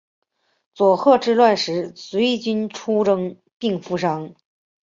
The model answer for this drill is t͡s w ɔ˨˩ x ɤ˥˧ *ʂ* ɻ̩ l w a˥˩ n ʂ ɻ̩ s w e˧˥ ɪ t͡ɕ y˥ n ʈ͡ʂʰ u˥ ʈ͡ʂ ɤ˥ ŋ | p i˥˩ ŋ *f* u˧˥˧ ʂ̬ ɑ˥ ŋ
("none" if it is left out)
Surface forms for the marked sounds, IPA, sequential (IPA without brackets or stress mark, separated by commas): ʈ͡ʂ, f